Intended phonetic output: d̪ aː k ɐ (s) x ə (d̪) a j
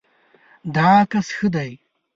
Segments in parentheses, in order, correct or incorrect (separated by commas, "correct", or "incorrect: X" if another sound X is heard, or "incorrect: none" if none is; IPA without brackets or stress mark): correct, correct